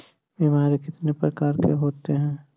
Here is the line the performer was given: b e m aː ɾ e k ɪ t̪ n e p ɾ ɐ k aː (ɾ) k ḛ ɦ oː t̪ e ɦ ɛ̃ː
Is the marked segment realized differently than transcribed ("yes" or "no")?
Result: no